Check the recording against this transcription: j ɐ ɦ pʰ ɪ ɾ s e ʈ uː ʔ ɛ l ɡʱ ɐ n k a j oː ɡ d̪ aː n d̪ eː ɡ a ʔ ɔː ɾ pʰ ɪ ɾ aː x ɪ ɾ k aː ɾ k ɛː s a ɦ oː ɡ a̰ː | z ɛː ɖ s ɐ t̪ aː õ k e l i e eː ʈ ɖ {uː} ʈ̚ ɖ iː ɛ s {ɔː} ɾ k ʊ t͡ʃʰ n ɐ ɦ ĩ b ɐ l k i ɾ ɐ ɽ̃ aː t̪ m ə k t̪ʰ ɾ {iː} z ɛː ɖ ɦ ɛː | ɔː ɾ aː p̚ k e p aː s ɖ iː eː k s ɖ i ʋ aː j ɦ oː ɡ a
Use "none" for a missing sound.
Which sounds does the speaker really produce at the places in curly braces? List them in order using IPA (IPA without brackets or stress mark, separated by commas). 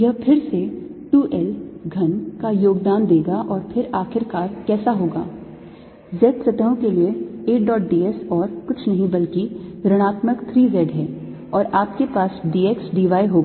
ɔː, ɔː, iː